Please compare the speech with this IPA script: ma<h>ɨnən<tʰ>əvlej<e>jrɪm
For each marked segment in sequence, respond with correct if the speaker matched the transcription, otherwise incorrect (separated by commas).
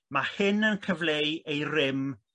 correct, incorrect, correct